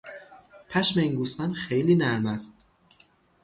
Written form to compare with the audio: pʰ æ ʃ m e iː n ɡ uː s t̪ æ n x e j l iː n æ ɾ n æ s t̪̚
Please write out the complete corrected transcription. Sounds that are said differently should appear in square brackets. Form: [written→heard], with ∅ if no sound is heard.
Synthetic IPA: pʰ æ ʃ m e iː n ɡ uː s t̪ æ n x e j l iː n æ ɾ [n→m] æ s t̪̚